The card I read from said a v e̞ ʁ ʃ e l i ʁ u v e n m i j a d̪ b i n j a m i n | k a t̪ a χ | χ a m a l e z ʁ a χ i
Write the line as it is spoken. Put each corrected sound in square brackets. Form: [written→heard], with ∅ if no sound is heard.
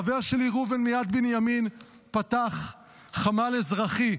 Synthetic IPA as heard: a v e̞ ʁ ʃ e l i ʁ u v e n m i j a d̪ b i n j a m i n | [k→p] a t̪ a χ | χ a m a l e z ʁ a χ i